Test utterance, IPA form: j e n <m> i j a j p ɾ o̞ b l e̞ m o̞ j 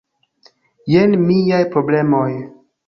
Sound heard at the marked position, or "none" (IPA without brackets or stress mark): m